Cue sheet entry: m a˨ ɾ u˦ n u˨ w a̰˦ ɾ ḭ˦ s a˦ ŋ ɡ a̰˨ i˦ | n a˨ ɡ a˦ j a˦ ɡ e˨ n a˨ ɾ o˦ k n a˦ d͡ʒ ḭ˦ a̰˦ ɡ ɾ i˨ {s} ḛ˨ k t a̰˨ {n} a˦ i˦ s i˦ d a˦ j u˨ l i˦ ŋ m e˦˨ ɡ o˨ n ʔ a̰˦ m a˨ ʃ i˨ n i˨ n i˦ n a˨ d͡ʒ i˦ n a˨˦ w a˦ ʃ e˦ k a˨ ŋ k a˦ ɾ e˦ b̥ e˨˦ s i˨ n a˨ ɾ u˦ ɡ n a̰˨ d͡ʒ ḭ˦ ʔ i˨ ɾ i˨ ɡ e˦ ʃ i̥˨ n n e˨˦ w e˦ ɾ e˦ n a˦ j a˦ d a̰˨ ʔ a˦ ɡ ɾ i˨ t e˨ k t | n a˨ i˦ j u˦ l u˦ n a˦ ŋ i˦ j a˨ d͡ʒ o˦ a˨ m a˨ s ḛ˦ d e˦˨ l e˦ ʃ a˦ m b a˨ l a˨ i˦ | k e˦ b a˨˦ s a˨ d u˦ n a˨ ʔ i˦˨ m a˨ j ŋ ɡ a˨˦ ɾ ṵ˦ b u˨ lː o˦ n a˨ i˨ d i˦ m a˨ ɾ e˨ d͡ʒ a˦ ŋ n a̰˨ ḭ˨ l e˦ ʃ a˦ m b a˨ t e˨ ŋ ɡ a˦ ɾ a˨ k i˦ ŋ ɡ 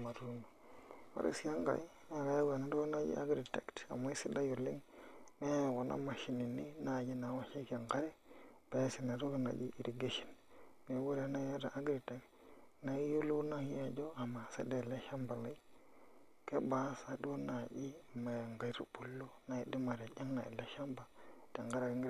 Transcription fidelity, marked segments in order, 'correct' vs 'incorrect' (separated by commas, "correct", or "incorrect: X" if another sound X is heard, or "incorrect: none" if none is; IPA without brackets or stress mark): incorrect: t, incorrect: m